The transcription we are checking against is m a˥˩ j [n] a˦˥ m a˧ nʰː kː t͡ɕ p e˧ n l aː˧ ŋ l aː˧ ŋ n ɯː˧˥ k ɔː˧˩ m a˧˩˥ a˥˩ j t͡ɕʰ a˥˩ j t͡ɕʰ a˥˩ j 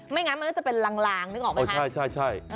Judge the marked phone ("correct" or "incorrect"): incorrect